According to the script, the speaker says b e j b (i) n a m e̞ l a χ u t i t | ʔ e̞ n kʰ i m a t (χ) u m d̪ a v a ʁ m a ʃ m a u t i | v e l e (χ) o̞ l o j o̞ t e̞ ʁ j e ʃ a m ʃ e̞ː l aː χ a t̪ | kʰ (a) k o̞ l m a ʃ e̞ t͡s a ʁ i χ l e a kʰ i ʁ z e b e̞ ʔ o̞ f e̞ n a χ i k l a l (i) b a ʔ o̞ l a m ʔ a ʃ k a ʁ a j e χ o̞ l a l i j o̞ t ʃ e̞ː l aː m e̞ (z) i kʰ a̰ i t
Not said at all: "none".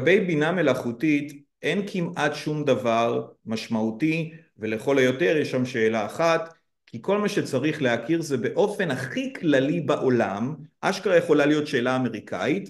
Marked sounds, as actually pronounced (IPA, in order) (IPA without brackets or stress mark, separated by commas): i, ʃ, χ, i, i, ʁ